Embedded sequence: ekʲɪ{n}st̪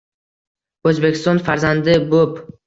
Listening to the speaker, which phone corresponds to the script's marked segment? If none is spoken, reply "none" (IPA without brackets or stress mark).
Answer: none